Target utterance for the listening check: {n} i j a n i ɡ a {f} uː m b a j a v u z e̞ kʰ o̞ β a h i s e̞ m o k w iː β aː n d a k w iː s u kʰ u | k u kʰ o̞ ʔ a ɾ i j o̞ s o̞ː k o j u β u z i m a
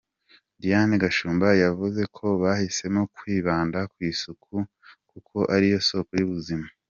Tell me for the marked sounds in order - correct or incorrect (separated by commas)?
incorrect, incorrect